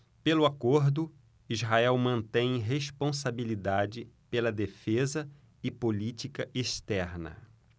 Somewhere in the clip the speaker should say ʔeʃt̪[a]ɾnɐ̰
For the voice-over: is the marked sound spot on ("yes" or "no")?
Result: no